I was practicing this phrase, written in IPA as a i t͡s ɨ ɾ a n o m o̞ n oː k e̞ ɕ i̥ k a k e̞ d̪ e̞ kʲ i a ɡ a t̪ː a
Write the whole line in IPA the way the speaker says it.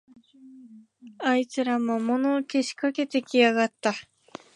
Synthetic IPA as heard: a i t͡s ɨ ɾ a m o m o̞ n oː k e̞ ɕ i̥ k a k e̞ t̪ e̞ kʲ i a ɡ a t̪ː a